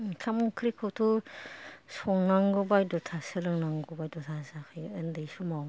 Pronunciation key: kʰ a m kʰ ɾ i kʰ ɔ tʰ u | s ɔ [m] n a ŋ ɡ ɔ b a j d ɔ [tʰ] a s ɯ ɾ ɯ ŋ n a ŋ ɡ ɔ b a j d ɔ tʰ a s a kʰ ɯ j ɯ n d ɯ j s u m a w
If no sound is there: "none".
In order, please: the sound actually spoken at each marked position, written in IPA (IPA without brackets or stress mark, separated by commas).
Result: ŋ, tʰ